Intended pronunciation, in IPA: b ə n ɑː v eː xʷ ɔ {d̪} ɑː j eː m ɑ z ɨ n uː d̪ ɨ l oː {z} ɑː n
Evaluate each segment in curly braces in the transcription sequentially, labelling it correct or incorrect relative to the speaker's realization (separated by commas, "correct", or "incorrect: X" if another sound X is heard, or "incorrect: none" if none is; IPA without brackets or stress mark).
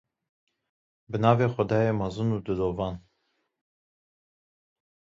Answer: correct, incorrect: v